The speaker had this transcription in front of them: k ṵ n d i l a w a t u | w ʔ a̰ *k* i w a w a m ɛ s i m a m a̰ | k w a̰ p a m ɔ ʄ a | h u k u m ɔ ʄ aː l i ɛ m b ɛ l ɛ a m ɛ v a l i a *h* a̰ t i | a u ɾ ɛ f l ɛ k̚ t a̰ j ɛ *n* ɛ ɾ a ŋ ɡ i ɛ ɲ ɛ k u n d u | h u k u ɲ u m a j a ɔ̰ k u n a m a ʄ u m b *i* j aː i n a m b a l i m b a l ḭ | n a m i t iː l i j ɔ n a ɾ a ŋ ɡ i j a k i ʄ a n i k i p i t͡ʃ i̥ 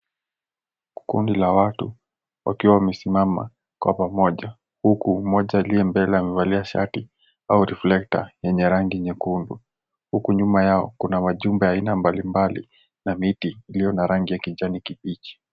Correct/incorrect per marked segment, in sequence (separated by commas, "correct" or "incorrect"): correct, incorrect, incorrect, incorrect